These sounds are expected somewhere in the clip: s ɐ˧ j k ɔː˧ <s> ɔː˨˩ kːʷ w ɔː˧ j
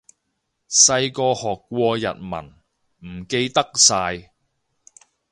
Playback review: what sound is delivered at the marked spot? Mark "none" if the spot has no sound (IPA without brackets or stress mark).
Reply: h